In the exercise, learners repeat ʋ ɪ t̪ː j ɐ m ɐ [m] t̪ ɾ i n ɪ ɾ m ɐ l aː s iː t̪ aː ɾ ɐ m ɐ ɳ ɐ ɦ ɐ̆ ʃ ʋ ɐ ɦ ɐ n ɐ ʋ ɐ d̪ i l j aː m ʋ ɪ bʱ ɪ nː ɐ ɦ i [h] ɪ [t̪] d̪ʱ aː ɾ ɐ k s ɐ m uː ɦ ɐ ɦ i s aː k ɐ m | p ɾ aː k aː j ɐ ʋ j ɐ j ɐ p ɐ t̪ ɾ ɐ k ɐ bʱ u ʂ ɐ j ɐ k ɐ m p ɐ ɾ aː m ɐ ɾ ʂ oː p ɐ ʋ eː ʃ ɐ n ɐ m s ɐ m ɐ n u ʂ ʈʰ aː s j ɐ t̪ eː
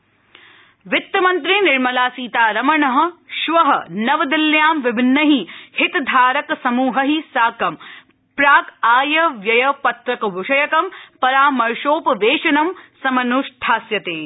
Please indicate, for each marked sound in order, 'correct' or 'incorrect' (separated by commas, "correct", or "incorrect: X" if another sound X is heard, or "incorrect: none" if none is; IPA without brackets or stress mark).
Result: incorrect: n, correct, correct